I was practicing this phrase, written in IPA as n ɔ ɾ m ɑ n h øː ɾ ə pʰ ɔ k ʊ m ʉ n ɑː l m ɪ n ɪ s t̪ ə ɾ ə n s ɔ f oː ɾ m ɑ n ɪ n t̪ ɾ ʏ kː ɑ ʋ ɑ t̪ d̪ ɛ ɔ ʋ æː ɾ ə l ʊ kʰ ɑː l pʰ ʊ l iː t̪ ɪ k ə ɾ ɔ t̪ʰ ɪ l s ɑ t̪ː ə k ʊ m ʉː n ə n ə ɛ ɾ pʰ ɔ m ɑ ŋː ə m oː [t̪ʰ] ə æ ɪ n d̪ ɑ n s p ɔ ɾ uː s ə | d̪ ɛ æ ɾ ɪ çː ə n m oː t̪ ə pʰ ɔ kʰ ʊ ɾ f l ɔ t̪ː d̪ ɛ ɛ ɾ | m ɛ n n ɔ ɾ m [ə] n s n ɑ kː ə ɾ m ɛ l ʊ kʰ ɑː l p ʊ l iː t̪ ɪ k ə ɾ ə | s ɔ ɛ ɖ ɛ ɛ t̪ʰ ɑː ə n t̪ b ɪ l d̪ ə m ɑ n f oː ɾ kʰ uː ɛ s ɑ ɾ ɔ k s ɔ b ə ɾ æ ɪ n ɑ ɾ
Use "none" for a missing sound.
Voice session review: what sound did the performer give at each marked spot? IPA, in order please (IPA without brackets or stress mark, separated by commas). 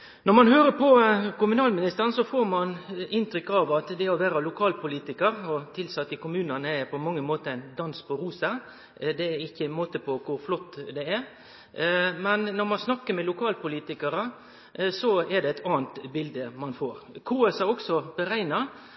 t̪, ɑ